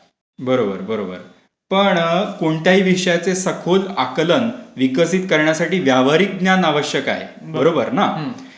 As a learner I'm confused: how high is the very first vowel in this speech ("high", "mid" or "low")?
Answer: mid